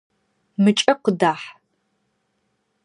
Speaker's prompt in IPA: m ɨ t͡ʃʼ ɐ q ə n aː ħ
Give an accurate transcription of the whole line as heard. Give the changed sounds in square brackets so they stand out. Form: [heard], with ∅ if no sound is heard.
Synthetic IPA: m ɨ t͡ʃʼ ɐ q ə [d] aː ħ